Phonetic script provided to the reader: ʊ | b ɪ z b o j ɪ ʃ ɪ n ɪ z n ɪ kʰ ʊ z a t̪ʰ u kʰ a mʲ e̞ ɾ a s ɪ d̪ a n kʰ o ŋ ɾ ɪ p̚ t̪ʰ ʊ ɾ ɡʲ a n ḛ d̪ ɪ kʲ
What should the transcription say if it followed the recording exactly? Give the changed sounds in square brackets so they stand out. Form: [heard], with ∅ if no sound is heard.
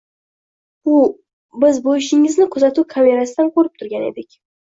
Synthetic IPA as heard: ʊ | b ɪ z b o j ɪ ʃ ɪ [ŋ] ɪ z n ɪ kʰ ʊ z a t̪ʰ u kʰ a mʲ e̞ ɾ a s ɪ d̪ a n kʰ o [∅] ɾ ɪ p̚ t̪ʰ ʊ ɾ ɡʲ a n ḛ d̪ ɪ kʲ